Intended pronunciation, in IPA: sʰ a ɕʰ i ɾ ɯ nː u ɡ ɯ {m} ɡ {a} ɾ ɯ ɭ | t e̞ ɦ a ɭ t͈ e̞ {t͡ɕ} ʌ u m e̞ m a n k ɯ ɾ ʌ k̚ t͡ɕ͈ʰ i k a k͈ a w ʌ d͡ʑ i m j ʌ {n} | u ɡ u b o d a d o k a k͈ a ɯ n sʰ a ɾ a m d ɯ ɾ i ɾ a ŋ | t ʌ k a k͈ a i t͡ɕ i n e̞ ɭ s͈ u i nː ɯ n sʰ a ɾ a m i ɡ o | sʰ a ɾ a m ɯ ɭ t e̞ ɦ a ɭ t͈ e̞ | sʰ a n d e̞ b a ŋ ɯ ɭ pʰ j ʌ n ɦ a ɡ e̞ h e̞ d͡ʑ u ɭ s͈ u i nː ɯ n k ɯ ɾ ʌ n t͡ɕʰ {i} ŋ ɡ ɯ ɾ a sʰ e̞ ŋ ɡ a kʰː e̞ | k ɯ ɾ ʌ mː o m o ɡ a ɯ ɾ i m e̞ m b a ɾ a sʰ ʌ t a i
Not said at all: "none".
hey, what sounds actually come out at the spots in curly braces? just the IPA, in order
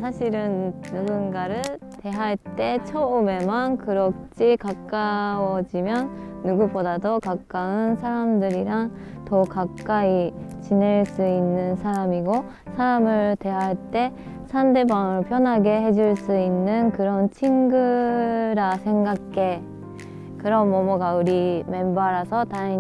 n, a, t͡ɕʰ, nː, i

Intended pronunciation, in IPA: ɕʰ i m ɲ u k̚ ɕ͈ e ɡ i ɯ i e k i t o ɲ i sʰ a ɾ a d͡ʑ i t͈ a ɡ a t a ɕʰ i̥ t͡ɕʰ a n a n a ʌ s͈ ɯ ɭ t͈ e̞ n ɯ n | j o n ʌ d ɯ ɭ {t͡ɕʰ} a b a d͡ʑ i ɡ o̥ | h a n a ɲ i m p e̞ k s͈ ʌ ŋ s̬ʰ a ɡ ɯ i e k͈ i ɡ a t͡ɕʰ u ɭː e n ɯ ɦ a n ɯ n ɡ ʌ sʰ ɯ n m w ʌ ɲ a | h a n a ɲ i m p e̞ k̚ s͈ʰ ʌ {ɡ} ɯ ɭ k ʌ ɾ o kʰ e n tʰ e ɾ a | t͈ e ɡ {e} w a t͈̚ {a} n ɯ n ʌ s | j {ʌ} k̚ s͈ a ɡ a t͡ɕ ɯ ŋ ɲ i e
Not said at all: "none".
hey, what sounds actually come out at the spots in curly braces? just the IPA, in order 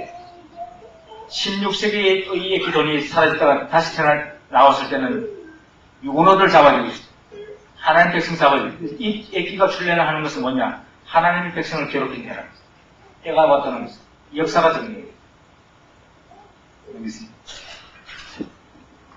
t͡ɕ, ŋ, a, ʌ, ʌ

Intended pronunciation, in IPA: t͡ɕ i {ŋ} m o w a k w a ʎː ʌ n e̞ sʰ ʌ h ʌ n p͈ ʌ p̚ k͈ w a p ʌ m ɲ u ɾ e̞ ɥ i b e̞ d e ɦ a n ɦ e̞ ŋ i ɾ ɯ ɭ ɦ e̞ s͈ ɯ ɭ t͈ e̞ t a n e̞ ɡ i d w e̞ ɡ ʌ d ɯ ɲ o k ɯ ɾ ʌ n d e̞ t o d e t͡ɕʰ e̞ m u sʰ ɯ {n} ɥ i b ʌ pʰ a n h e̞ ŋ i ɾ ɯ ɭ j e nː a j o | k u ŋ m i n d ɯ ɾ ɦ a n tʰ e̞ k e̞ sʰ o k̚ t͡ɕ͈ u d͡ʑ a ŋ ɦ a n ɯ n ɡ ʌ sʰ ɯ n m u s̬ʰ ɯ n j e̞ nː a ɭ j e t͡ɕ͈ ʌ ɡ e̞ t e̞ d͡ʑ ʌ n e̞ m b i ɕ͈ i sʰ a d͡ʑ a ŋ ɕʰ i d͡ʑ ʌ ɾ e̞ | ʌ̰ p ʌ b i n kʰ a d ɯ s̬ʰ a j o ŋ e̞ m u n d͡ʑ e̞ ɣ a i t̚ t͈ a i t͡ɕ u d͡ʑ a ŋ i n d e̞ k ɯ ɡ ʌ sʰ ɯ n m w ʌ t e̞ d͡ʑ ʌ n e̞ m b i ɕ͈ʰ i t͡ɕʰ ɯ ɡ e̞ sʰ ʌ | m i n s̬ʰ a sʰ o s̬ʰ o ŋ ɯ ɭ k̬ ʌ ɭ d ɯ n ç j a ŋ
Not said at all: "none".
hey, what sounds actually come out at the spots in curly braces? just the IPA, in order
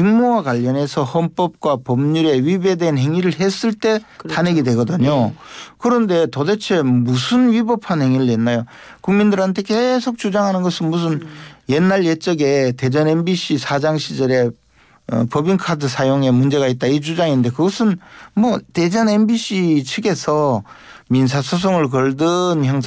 ŋ, n

